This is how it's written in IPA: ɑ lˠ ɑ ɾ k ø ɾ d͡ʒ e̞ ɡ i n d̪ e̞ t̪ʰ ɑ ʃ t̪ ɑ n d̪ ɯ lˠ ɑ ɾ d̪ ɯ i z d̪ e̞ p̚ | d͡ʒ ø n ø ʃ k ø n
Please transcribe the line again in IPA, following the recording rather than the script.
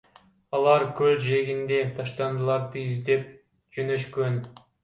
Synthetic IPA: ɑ lˠ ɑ ɾ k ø l d͡ʒ e̞ ɡ i n d̪ e̞ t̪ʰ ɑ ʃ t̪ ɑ n d̪ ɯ lˠ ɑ ɾ d̪ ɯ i z d̪ e̞ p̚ | d͡ʒ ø n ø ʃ k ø n